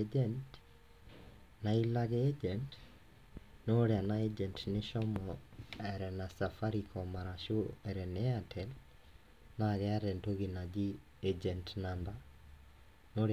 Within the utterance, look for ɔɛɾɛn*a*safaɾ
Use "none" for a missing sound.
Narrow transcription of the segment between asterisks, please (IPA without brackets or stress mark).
a